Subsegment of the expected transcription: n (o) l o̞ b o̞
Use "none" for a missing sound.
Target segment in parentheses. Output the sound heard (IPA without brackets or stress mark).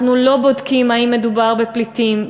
u